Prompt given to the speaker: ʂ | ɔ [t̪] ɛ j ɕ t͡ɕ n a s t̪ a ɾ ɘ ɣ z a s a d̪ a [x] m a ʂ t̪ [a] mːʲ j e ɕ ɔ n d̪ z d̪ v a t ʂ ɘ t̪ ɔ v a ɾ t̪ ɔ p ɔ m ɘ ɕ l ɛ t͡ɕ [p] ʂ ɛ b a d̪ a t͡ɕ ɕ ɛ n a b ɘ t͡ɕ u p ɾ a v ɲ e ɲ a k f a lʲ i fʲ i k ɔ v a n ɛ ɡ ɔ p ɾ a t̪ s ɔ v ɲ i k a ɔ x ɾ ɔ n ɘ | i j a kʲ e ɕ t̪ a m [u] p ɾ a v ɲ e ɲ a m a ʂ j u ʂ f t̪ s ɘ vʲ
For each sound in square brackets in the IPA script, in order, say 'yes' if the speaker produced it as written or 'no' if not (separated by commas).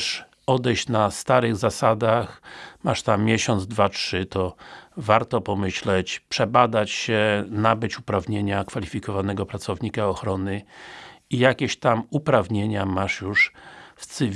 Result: no, yes, yes, yes, yes